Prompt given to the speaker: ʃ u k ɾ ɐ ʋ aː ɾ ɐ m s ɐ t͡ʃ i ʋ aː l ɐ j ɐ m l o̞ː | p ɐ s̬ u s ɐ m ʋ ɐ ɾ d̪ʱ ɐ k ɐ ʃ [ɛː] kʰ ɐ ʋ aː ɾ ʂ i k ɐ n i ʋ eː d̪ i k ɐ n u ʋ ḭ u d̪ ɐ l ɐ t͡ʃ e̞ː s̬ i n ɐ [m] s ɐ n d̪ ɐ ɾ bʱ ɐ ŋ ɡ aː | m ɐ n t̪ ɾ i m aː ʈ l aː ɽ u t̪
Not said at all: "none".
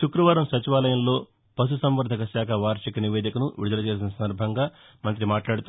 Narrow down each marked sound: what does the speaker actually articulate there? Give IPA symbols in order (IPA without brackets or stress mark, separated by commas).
aː, none